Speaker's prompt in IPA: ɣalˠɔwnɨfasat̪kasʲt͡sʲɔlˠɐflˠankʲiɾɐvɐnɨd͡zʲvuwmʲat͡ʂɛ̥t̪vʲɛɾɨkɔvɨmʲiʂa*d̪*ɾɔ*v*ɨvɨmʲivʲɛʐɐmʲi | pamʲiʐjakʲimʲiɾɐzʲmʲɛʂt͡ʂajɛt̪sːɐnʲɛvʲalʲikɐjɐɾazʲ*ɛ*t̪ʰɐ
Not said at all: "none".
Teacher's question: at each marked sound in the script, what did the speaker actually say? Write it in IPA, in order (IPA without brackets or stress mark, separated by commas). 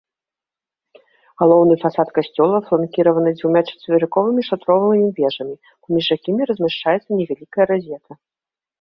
t̪, v, ɛ